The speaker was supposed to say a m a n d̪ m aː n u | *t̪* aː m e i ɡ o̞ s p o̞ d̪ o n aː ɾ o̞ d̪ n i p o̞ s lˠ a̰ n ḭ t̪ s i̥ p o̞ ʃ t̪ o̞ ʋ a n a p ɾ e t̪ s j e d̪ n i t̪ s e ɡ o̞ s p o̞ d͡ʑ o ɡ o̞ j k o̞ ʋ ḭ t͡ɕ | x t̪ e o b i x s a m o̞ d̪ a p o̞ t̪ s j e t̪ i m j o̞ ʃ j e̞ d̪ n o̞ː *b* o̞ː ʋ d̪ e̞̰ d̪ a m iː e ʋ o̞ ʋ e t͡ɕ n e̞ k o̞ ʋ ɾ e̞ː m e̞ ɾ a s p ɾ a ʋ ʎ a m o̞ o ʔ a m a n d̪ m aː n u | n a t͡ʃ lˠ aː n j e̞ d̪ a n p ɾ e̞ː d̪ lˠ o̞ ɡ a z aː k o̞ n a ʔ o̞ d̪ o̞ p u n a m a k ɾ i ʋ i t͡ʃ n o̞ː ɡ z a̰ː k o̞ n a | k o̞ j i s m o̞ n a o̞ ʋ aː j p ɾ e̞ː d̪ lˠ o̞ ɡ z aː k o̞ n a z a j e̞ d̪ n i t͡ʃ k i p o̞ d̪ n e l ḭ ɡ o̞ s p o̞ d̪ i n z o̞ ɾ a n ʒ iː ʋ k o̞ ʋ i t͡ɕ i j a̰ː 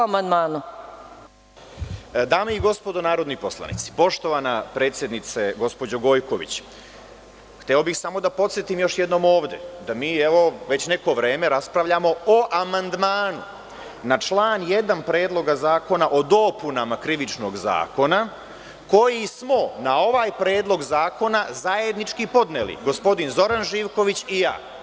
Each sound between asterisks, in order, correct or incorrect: incorrect, incorrect

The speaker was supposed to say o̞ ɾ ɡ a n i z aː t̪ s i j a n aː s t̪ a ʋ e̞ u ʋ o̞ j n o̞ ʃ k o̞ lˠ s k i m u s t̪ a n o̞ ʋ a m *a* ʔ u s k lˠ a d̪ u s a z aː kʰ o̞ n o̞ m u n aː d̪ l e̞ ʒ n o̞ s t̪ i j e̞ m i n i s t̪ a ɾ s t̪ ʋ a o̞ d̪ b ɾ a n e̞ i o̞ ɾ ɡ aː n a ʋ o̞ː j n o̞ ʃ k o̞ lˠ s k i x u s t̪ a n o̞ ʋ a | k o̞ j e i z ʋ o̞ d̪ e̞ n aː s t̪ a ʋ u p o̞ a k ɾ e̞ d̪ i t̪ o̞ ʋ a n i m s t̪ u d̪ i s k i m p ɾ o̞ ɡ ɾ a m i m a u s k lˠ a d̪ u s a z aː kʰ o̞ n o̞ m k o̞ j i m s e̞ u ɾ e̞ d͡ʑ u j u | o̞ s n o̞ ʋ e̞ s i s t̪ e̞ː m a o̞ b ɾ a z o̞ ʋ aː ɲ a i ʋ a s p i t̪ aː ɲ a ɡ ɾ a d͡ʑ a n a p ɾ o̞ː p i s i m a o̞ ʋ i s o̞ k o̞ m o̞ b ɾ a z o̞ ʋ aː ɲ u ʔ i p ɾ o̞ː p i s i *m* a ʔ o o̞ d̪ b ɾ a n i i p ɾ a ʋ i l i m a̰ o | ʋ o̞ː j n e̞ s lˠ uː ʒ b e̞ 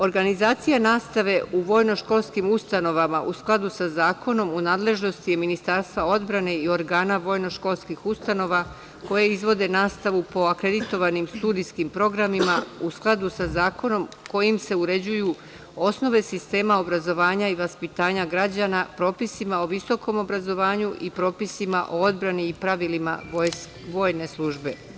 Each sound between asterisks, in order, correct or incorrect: correct, correct

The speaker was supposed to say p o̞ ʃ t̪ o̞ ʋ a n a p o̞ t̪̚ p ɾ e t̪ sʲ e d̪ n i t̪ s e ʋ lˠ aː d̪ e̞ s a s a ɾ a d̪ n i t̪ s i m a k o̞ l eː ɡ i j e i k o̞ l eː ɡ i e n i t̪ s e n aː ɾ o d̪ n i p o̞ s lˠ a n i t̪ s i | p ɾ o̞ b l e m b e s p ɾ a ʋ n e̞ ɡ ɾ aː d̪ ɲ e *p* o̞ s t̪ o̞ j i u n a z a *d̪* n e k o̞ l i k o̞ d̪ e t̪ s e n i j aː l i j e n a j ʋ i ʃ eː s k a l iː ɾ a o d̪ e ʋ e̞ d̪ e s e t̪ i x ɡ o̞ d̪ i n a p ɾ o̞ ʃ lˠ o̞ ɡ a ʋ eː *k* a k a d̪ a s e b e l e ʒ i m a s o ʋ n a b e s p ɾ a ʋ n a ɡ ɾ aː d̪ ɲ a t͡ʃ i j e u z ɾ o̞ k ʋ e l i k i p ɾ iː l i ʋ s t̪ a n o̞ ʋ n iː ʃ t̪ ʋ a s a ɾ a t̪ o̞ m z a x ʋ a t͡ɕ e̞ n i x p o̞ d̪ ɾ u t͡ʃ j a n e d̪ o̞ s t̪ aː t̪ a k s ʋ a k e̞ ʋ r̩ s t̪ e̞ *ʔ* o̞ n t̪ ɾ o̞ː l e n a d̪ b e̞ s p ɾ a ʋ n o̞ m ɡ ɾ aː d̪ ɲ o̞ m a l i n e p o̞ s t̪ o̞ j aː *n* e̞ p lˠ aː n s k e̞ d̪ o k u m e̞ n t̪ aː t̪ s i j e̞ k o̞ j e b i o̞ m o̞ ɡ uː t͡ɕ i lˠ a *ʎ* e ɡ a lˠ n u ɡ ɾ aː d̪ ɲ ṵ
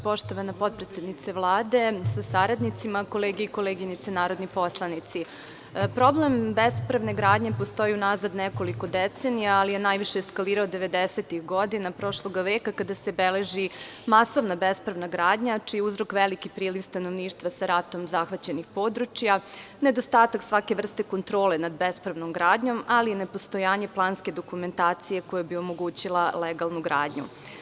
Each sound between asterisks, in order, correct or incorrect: correct, correct, correct, incorrect, incorrect, incorrect

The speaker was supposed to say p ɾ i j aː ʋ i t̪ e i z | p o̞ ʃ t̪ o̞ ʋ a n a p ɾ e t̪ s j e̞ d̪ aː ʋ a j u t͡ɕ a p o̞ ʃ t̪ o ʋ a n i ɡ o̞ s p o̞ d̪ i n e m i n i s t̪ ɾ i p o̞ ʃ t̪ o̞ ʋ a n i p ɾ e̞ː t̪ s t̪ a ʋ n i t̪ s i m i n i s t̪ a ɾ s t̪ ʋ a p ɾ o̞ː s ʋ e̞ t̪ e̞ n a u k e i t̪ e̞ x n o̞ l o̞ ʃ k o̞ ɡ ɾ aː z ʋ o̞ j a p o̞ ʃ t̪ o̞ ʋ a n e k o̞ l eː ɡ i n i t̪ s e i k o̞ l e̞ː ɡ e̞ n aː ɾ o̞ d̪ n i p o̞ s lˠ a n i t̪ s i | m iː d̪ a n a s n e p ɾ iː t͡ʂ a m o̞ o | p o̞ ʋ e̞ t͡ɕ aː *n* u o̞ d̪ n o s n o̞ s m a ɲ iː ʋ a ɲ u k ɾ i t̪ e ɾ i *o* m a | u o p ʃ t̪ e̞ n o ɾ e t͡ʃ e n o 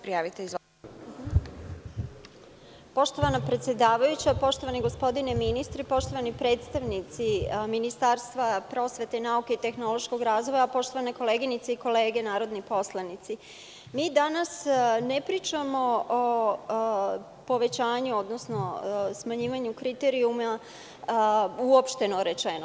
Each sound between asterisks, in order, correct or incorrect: incorrect, incorrect

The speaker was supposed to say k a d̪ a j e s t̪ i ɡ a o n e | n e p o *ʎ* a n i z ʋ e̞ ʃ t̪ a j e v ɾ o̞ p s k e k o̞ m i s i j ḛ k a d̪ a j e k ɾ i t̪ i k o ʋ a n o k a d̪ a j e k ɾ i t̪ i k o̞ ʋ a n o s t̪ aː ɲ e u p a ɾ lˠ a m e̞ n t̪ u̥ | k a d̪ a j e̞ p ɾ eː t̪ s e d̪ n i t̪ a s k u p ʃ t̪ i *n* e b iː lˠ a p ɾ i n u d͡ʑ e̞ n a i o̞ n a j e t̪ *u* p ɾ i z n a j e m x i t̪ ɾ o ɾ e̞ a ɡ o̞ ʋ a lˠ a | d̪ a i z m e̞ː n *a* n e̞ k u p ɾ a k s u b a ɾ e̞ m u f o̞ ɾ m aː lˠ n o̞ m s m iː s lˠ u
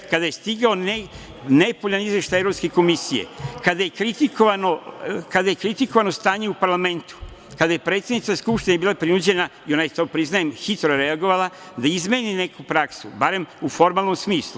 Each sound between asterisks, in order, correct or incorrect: correct, correct, incorrect, incorrect

